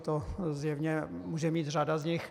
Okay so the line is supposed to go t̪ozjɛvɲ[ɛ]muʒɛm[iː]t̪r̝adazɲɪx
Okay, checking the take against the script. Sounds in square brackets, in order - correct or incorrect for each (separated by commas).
correct, correct